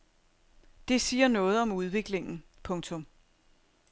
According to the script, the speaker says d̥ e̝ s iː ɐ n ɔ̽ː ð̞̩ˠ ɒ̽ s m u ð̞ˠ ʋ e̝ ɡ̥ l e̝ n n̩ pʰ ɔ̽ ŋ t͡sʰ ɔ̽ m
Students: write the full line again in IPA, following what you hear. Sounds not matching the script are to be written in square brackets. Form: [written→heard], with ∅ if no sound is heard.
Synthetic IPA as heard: d̥ e̝ s iː ɐ n ɔ̽ː ð̞̩ˠ ɒ̽ [s→∅] m u ð̞ˠ ʋ e̝ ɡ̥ l e̝ [n→ŋ] n̩ pʰ ɔ̽ ŋ t͡sʰ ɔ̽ m